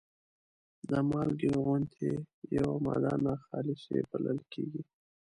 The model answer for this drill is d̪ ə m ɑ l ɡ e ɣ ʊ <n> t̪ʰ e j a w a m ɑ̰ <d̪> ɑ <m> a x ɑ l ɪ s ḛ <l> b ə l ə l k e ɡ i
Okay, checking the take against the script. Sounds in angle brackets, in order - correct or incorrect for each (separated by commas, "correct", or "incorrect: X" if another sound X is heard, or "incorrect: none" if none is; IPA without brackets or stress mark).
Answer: correct, correct, incorrect: n, incorrect: none